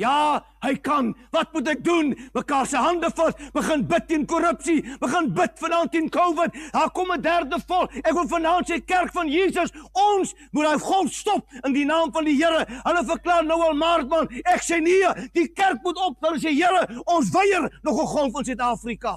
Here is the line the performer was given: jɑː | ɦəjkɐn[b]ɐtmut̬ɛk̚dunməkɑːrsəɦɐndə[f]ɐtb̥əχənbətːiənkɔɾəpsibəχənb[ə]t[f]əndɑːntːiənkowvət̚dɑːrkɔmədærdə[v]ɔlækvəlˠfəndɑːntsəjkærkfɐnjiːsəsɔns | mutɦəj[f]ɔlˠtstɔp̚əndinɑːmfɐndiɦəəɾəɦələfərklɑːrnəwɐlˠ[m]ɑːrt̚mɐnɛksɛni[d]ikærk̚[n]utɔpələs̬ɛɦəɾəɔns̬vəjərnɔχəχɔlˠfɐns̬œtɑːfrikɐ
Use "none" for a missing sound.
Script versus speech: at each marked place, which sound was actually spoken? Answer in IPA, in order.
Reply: v, f, ə, f, f, χ, m, d, m

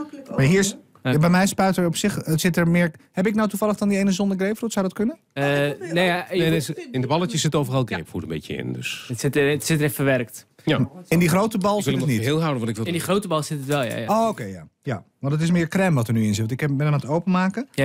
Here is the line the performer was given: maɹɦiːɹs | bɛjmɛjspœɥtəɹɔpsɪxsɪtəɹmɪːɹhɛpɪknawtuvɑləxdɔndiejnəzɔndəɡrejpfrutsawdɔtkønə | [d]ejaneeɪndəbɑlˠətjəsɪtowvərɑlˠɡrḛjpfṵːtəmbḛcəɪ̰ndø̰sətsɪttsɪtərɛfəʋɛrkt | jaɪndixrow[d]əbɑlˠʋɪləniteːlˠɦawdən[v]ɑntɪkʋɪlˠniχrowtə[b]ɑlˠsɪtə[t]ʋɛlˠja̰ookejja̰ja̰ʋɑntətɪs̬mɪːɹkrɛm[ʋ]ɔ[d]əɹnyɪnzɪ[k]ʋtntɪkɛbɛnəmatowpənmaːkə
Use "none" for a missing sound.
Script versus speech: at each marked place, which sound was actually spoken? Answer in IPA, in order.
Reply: n, t, ʋ, b, t, ʋ, t, t

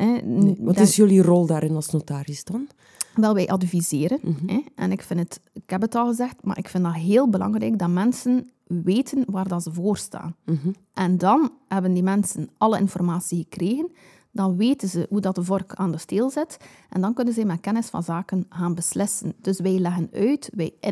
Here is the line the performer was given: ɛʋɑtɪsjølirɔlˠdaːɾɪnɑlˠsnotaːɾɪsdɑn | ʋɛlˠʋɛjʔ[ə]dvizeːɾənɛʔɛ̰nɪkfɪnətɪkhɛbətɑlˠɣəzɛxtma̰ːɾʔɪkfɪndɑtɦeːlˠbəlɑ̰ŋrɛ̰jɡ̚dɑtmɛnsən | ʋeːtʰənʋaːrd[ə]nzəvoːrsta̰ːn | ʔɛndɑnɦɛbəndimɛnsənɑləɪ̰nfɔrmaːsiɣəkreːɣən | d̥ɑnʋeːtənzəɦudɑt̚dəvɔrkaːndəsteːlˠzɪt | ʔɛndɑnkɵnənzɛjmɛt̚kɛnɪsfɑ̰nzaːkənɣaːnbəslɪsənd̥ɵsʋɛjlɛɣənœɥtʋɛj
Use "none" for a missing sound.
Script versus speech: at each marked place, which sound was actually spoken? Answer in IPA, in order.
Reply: ɑ, ɑ

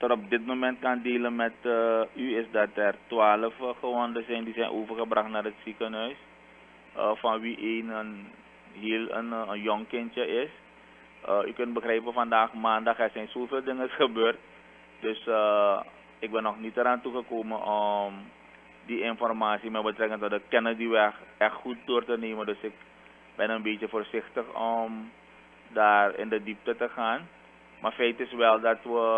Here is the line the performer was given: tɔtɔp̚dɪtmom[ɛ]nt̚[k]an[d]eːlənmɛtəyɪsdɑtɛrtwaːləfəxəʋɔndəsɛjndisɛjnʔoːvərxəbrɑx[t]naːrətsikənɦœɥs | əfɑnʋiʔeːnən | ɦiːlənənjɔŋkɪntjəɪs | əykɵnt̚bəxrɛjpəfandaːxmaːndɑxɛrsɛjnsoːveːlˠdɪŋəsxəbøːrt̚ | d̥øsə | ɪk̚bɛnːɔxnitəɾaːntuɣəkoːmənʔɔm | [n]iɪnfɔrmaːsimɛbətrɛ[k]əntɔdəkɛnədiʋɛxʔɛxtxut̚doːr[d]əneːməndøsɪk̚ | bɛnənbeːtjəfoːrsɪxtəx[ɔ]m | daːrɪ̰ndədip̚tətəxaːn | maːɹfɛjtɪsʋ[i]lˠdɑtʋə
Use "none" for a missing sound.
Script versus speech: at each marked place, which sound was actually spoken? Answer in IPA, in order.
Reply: ɛ, k, d, t, d, k, t, ɔ, ɛ

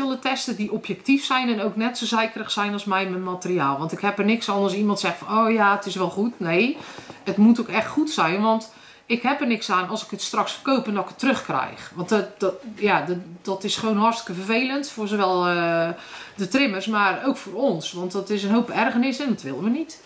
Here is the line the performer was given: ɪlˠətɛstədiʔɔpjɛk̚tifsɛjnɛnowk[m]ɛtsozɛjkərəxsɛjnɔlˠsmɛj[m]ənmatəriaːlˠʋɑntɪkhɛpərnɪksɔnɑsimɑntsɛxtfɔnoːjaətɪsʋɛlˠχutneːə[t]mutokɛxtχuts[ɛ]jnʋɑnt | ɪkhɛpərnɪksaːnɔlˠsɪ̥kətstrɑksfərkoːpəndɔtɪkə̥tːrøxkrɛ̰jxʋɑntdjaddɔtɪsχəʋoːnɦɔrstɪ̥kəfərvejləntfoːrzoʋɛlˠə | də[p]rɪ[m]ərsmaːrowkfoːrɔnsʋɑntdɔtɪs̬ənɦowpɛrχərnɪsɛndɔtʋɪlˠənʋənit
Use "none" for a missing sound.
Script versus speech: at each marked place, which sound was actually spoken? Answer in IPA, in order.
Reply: n, m, t, ɛ, t, m

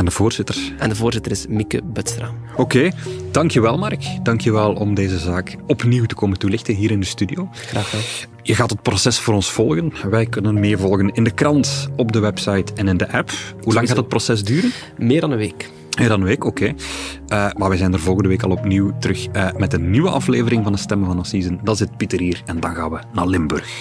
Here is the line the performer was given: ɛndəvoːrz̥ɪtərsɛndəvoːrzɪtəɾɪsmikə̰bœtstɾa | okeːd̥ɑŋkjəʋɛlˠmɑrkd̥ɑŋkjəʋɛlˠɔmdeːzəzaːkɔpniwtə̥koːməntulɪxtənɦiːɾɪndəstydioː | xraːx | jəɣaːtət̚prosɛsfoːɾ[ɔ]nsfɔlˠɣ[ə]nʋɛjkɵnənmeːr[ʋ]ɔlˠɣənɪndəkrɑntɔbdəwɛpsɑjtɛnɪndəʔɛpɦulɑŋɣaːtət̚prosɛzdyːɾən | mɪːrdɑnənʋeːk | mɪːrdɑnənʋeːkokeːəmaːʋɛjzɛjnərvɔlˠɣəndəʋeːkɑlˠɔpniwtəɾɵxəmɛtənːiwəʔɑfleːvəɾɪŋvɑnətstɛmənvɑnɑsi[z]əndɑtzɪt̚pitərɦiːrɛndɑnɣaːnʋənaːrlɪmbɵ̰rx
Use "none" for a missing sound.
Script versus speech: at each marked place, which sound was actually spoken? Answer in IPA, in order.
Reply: ɔ, ə, v, z

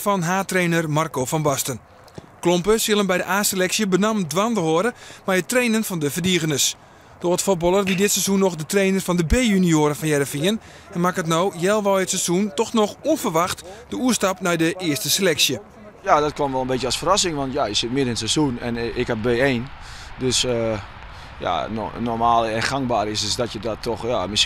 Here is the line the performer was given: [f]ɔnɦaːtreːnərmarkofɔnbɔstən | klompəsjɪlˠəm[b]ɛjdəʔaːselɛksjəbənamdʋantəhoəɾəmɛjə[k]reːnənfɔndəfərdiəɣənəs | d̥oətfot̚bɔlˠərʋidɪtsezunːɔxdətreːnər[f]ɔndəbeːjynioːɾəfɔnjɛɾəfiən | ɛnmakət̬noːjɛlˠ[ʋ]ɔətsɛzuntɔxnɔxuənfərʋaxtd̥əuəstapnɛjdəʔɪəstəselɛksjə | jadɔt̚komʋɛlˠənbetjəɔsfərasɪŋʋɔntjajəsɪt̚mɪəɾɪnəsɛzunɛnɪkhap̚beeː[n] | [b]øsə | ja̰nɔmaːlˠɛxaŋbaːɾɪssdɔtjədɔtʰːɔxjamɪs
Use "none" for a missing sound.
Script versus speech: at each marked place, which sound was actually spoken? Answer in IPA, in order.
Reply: f, b, t, f, ʋ, n, d

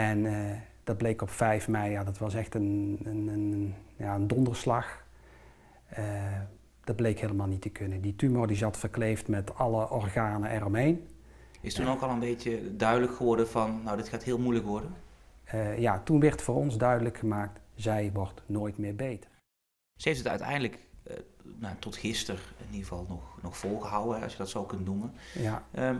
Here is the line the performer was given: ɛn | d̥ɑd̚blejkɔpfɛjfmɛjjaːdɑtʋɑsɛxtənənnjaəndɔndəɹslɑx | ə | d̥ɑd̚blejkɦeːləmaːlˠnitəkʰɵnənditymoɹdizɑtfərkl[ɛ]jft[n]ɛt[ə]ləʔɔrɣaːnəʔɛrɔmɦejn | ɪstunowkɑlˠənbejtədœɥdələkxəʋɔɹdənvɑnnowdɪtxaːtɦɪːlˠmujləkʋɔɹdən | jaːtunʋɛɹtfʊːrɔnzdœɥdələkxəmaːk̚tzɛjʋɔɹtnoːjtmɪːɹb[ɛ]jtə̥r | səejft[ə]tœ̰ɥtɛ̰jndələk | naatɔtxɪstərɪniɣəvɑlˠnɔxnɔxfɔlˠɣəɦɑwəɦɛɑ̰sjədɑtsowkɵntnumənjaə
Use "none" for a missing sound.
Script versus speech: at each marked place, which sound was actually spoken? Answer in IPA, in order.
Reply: e, m, ɑ, e, ə

